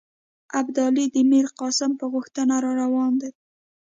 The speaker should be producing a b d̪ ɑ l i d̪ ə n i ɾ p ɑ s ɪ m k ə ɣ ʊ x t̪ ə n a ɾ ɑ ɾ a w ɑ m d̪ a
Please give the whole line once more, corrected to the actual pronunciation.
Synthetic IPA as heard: a b d̪ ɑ l i d̪ ə m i ɾ q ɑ s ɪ m p ə ɣ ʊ x t̪ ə n a ɾ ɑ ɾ a w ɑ n d̪ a